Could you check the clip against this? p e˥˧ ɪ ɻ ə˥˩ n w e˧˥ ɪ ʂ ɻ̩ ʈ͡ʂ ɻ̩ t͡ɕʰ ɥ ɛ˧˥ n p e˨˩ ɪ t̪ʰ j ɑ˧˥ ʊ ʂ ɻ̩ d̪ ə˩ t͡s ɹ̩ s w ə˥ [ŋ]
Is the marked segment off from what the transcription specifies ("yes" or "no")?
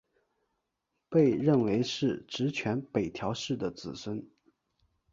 yes